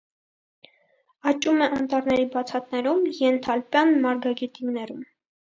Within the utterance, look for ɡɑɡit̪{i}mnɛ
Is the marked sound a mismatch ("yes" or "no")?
no